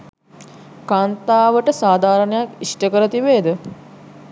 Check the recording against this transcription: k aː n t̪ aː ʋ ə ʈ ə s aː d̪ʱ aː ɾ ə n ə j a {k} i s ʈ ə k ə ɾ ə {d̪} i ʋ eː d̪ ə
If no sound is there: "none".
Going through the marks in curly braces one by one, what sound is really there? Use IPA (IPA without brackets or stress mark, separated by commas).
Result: k, t̪